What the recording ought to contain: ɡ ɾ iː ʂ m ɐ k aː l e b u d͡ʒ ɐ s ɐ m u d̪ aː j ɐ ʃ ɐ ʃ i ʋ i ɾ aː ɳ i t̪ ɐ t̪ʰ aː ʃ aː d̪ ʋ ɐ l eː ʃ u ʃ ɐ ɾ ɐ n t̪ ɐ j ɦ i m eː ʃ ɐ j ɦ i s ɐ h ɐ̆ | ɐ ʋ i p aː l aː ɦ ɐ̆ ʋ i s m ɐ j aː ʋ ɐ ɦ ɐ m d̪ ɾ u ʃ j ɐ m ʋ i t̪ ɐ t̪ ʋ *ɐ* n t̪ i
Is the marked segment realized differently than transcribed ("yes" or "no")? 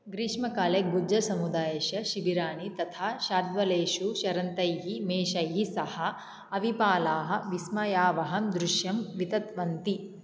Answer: no